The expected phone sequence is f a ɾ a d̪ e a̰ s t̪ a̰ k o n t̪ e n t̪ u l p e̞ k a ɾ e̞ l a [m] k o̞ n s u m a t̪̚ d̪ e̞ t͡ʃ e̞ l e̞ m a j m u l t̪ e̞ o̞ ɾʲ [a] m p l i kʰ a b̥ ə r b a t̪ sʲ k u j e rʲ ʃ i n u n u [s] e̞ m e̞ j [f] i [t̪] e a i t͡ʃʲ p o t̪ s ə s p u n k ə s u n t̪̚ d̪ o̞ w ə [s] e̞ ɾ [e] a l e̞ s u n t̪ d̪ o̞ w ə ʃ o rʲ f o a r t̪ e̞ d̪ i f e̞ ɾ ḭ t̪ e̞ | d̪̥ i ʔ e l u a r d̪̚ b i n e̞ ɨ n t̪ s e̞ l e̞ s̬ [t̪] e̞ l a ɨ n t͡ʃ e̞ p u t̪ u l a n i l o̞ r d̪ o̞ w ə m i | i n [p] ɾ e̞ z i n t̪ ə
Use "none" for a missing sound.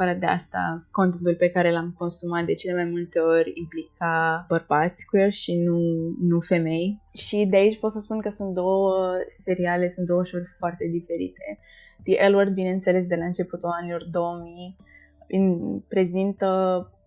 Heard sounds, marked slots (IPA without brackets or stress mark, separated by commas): m, i, f, ʃ, d̪, s, i, d̪, p